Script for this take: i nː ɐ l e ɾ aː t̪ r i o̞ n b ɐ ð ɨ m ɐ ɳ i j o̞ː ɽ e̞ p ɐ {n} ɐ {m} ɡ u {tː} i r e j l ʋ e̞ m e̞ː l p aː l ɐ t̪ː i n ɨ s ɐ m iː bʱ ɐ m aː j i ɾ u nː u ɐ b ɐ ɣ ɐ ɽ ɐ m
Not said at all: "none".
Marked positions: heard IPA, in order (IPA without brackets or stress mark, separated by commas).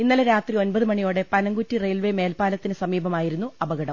n, ŋ, tː